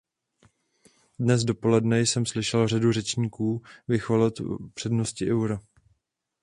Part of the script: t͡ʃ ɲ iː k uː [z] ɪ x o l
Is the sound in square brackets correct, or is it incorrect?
incorrect